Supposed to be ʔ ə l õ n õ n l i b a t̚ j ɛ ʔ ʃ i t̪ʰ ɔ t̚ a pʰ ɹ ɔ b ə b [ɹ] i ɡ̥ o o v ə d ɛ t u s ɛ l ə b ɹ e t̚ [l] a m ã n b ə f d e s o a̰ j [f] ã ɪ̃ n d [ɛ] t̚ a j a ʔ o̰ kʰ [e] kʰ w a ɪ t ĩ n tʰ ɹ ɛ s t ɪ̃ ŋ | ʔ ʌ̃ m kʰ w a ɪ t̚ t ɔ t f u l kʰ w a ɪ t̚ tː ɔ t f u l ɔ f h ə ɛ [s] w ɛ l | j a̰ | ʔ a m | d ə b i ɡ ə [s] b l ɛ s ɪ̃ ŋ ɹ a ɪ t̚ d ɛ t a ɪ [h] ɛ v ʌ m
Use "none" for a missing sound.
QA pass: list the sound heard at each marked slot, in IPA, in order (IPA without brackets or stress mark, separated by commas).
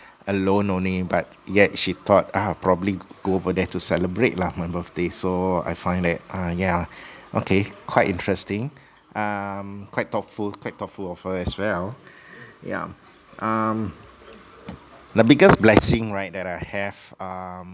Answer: l, l, f, ɛ, e, s, s, h